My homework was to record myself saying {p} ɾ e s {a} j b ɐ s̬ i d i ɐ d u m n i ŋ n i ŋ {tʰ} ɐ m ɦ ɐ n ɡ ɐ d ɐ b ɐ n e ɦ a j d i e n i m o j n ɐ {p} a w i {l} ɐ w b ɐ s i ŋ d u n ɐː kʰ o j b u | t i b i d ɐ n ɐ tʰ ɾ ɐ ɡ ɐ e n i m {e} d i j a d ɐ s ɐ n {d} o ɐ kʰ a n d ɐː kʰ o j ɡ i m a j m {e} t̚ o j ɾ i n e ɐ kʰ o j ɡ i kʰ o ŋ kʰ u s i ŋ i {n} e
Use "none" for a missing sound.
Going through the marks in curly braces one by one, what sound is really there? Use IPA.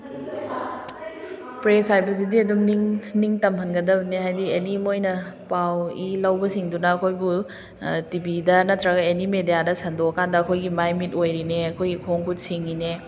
p, a, t, p, l, e, d, i, n

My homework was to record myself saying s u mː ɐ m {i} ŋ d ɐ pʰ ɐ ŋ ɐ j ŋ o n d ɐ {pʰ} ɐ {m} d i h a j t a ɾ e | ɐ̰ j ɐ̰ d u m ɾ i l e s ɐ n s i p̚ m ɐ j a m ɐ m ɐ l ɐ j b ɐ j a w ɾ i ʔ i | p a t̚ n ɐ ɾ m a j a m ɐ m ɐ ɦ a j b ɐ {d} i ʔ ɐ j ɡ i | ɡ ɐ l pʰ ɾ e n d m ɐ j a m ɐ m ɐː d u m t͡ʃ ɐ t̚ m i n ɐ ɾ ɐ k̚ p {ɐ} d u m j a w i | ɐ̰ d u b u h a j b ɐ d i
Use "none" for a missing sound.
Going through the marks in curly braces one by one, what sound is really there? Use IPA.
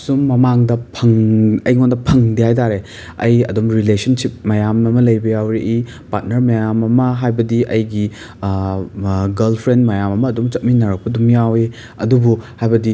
a, pʰ, ŋ, d, ɐ

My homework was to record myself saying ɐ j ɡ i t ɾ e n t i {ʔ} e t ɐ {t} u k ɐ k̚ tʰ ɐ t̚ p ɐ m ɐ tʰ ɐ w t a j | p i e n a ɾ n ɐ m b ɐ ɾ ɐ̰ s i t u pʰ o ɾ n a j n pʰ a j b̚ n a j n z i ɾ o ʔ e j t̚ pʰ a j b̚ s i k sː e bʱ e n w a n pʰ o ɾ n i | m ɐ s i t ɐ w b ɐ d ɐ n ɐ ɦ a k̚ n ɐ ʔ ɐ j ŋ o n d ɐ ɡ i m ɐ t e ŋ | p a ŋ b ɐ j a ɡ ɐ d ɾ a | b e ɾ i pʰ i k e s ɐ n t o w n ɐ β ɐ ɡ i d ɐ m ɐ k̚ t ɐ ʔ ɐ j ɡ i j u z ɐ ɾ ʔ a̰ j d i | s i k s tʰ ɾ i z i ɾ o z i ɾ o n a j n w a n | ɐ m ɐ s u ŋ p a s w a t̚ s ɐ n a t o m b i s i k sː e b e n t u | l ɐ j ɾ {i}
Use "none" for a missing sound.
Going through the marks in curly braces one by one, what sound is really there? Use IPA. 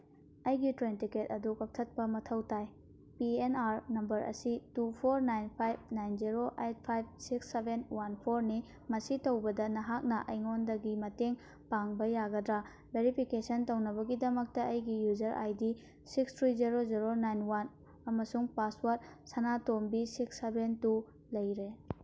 k, d, e

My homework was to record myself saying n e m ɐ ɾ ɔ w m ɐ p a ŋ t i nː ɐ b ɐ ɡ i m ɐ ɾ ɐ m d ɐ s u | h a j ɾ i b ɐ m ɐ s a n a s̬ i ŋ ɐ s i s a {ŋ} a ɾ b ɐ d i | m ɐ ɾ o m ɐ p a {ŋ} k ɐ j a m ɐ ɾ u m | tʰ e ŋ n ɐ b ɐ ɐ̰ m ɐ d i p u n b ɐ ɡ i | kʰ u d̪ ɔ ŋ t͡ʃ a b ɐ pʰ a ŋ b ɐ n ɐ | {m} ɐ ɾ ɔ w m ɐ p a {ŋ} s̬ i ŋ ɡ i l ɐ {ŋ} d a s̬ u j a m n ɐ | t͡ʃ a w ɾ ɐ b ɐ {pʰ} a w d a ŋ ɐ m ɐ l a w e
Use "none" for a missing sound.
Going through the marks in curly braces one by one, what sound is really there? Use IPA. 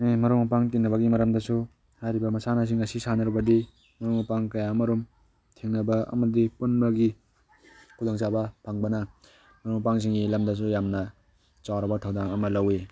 n, ŋ, m, ŋ, m, tʰ

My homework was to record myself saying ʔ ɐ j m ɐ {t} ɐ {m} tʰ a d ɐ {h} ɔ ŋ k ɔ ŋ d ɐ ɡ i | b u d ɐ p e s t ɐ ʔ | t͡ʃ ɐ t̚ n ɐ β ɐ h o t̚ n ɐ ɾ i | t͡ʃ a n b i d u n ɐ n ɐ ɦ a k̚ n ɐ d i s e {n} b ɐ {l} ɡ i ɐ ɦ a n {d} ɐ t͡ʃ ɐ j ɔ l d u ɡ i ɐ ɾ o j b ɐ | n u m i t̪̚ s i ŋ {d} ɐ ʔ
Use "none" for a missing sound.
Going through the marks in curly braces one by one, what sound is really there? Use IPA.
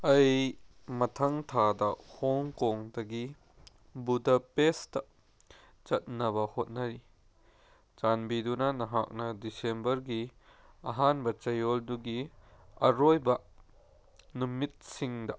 tʰ, ŋ, h, m, ɾ, b, d

